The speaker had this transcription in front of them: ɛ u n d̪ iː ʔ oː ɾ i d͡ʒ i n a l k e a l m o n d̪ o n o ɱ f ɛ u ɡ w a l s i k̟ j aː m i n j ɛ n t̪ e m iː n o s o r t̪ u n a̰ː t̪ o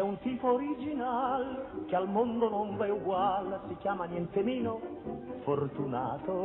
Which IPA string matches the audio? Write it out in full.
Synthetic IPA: ɛ u n t̪ iː p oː ɾ i d͡ʒ i n a l k e a l m o n d̪ o n o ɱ v ɛ u ɡ w a l s i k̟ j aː m a n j ɛ n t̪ e m iː n o f o r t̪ u n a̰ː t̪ o